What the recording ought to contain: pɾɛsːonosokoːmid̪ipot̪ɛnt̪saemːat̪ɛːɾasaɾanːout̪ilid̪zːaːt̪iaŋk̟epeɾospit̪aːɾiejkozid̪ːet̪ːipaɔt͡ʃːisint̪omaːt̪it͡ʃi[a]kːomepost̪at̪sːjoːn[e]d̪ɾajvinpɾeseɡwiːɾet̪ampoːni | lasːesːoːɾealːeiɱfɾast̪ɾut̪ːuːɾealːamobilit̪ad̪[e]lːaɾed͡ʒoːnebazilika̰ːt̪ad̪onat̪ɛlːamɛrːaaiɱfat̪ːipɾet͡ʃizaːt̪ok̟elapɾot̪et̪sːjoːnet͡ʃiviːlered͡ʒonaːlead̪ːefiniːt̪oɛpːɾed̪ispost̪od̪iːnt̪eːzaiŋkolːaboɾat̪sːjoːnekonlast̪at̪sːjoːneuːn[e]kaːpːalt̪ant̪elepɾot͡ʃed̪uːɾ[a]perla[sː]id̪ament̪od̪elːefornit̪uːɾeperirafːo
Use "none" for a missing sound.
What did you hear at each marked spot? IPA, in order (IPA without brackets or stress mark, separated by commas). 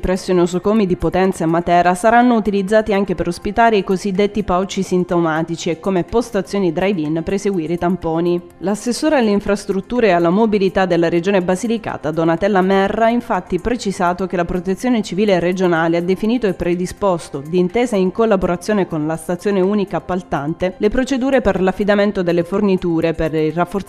e, i, e, i, e, fː